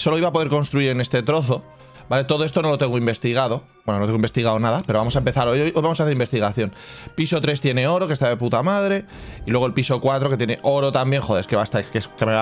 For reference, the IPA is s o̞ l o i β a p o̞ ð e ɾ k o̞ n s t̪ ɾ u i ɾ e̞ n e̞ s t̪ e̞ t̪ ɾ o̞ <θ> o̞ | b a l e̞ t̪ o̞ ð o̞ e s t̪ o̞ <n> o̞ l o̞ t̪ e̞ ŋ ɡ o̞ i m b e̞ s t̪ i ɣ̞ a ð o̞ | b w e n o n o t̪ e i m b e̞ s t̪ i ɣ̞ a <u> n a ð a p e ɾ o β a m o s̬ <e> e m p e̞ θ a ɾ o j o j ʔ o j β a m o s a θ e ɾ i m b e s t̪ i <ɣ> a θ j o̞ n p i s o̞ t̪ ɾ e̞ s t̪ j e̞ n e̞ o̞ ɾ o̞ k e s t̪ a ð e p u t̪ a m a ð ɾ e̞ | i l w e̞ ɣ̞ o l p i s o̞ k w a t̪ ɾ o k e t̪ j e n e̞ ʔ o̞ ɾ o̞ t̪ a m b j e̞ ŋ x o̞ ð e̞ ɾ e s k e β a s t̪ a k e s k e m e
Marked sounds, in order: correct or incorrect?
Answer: correct, correct, incorrect: o, incorrect: a, correct

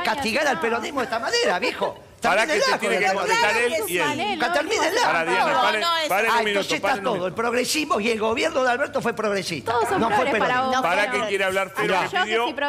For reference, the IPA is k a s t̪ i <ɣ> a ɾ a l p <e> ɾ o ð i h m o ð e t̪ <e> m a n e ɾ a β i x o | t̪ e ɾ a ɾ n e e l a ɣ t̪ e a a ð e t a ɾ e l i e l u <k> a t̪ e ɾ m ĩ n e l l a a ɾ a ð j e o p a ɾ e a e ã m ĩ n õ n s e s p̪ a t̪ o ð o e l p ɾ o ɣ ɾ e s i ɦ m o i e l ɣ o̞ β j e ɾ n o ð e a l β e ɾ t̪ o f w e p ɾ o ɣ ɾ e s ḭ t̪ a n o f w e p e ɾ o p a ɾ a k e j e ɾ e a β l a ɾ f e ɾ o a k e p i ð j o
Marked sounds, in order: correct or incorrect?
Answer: correct, correct, incorrect: a, correct

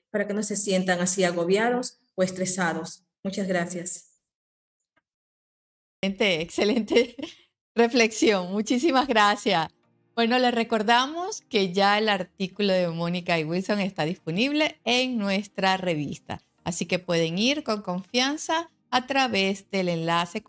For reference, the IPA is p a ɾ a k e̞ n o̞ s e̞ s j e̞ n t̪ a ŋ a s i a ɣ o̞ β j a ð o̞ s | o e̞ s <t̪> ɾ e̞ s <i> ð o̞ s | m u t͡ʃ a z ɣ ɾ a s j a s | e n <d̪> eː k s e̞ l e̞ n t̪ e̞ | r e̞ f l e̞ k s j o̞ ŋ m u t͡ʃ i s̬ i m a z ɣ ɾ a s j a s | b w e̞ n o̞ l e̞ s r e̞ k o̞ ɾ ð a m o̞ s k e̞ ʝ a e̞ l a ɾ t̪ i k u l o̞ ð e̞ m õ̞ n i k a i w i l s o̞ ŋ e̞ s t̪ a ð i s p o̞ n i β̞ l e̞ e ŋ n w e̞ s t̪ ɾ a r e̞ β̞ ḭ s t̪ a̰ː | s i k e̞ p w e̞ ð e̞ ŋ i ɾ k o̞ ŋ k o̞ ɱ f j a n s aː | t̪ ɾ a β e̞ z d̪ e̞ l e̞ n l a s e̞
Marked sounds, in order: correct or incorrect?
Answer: correct, incorrect: a, incorrect: t̪

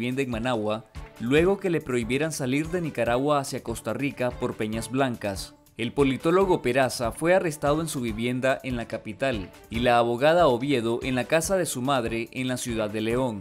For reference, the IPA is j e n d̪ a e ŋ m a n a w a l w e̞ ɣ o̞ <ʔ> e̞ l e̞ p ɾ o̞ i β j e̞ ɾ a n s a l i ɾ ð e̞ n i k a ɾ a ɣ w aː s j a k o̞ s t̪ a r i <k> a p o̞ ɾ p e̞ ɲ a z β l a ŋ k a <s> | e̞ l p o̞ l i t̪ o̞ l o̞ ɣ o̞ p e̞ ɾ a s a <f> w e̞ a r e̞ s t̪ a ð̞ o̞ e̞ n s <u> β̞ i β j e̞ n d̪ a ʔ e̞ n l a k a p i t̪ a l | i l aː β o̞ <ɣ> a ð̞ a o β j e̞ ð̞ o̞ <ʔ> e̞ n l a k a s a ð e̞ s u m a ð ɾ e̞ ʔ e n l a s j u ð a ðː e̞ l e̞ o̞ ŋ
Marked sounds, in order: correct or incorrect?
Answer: incorrect: k, correct, correct, correct, correct, correct, correct

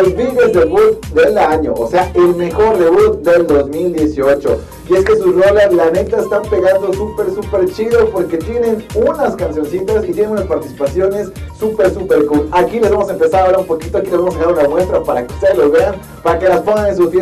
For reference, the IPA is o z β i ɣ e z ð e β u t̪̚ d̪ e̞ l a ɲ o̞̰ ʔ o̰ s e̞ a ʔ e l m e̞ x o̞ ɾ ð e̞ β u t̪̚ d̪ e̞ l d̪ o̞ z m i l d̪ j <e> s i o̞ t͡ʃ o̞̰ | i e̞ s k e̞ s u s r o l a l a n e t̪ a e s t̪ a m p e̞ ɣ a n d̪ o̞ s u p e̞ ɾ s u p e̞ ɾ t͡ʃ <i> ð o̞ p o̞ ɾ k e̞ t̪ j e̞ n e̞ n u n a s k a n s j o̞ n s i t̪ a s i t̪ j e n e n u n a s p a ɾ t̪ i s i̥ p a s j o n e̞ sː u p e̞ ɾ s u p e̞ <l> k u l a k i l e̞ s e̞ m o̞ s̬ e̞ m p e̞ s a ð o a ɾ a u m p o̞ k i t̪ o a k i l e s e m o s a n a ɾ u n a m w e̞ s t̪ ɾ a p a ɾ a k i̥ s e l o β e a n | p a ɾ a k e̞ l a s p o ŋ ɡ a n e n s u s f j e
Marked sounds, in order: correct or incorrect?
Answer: correct, correct, incorrect: ɾ

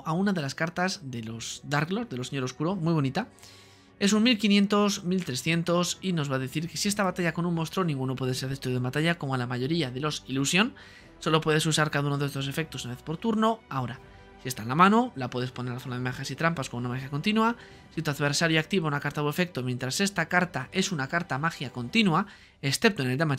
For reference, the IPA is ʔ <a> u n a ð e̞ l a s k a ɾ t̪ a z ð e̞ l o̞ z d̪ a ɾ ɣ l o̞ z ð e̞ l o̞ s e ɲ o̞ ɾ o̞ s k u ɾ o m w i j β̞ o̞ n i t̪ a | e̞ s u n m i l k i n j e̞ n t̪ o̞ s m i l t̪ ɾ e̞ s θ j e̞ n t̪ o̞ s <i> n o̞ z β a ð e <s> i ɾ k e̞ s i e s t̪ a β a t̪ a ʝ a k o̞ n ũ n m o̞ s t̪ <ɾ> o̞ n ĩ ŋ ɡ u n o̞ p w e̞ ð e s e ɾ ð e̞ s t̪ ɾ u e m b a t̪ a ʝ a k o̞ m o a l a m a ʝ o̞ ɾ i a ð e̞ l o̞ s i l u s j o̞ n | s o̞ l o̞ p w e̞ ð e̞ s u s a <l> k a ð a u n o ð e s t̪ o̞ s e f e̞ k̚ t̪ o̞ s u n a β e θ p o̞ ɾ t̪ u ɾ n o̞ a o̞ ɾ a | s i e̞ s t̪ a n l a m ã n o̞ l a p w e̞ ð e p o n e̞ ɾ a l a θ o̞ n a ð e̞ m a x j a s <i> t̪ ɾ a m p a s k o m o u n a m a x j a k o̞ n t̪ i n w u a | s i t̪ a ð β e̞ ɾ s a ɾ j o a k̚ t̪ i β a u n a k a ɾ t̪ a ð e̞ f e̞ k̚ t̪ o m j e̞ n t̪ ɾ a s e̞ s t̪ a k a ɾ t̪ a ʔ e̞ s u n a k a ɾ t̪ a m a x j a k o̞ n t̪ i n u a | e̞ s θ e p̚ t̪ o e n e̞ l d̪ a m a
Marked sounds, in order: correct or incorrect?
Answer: correct, correct, incorrect: θ, correct, incorrect: ɾ, correct

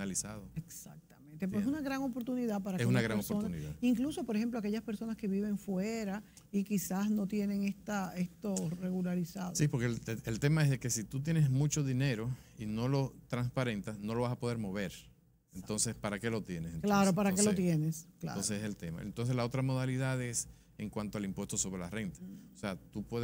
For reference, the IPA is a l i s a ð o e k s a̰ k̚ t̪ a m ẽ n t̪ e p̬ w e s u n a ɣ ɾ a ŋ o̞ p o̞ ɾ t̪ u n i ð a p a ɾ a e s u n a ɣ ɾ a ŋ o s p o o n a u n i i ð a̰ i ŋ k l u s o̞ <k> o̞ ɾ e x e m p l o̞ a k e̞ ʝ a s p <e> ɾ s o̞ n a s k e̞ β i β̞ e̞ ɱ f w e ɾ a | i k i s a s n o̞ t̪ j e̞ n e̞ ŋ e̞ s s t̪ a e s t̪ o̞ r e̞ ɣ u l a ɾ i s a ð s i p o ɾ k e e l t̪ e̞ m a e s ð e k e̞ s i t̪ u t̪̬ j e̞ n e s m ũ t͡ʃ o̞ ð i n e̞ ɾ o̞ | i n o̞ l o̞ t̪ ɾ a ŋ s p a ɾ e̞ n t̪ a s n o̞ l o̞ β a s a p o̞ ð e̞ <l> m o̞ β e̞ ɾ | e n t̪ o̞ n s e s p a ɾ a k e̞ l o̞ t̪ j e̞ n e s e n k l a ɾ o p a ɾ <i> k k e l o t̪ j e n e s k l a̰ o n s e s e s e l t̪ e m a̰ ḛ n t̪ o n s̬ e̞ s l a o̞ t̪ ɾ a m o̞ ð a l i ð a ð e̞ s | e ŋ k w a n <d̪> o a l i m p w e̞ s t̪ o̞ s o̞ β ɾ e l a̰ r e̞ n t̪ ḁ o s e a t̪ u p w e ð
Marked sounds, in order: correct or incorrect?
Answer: incorrect: p, correct, incorrect: ɾ, incorrect: a, incorrect: t̪

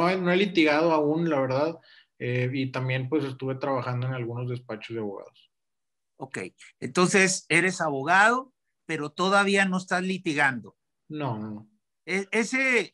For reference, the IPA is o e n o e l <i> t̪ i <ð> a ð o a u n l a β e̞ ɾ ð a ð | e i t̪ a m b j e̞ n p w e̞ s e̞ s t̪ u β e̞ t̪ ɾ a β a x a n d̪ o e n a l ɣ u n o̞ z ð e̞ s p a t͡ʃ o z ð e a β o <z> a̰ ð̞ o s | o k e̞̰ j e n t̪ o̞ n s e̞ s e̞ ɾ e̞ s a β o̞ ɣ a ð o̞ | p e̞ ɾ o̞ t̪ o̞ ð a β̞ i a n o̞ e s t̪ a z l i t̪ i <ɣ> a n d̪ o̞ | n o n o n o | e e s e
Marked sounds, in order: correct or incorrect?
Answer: correct, incorrect: ɣ, incorrect: ɣ, correct

